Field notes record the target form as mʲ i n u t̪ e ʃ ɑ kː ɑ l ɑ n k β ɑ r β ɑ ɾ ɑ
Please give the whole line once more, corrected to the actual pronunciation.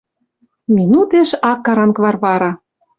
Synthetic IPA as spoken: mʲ i n u t̪ e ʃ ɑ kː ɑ ɾ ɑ n k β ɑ r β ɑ ɾ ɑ

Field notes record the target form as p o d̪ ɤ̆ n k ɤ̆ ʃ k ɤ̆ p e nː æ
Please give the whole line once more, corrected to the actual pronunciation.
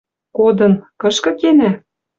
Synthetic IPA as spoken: k o d̪ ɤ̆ n k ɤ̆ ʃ k ɤ̆ k e n æ

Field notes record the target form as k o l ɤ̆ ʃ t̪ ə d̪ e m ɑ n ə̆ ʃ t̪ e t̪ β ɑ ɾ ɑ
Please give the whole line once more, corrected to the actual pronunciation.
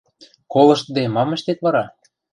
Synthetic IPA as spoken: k o l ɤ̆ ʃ t̪ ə d̪ e m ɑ m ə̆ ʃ t̪ e t̪ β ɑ ɾ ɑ

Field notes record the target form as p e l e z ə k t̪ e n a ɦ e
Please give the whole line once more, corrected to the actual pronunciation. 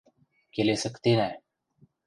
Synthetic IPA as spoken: k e l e s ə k t̪ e n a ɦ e

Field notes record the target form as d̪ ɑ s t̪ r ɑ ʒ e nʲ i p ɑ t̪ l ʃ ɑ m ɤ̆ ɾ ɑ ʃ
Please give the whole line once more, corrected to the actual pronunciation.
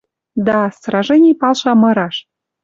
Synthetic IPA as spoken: d̪ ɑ s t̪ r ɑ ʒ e nʲ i p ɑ l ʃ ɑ m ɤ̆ ɾ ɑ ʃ

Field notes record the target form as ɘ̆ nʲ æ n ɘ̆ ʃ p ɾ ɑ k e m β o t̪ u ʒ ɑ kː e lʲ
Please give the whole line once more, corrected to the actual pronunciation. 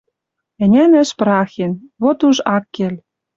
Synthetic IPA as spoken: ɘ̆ nʲ æ n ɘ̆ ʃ p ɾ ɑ x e n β o t̪ u ʒ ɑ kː e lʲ

